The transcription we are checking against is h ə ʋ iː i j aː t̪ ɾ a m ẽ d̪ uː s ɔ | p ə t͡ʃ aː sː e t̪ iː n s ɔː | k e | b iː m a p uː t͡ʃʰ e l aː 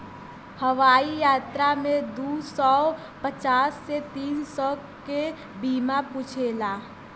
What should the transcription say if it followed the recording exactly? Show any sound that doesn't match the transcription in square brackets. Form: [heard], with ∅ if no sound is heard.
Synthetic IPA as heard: h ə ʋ [aː] i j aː t̪ ɾ a m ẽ d̪ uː s ɔ | p ə t͡ʃ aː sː e t̪ iː n s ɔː | k e | b iː m a p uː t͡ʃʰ e l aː